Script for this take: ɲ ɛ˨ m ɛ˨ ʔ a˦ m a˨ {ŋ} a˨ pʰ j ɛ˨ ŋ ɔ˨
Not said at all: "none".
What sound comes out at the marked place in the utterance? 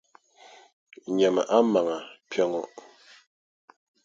ŋ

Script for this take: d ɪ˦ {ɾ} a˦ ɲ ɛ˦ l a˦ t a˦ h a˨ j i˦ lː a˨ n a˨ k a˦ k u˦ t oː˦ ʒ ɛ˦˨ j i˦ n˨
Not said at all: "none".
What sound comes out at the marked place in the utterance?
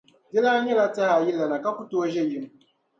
l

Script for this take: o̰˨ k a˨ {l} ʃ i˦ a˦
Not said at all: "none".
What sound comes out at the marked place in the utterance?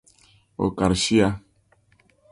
ɾ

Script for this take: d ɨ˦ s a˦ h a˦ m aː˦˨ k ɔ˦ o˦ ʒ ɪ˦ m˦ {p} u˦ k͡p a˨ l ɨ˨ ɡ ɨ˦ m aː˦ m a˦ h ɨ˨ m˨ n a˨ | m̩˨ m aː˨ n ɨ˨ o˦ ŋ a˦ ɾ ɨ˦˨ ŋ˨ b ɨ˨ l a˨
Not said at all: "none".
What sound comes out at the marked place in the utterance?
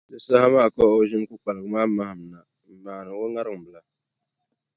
k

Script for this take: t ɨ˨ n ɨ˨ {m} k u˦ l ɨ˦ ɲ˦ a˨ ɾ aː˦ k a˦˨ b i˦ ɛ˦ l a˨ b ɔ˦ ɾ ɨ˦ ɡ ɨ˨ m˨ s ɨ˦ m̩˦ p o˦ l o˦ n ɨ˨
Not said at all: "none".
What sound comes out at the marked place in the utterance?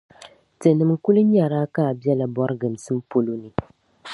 m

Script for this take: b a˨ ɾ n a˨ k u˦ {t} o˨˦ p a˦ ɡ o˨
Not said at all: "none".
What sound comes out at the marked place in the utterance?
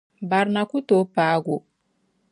t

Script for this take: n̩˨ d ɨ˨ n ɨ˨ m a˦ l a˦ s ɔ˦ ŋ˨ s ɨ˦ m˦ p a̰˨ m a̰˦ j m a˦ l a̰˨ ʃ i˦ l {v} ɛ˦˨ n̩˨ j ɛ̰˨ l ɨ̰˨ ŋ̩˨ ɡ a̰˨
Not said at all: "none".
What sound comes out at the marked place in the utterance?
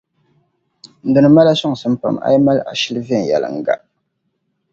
v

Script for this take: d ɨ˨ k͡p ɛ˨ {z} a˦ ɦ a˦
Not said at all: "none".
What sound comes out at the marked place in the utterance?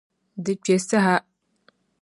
s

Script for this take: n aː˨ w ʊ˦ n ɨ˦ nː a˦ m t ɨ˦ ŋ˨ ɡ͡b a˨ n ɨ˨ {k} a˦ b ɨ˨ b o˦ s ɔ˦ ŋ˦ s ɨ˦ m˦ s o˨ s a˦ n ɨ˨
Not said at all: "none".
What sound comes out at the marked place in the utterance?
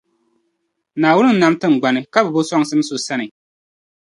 k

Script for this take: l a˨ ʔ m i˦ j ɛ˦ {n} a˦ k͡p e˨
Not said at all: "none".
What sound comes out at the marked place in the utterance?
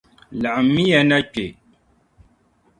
n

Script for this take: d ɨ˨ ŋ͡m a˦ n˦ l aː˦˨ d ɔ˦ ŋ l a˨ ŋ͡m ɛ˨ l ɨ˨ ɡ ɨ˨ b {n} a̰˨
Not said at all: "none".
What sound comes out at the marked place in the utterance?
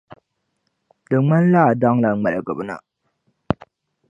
n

